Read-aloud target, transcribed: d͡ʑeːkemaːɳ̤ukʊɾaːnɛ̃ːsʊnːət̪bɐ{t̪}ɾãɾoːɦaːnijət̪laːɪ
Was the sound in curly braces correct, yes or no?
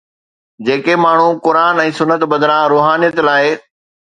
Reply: no